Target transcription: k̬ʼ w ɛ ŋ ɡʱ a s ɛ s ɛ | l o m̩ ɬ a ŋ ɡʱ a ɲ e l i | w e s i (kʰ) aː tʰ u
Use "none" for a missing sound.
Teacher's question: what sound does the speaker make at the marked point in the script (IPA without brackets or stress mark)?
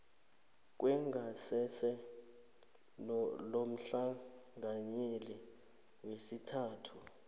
tʰ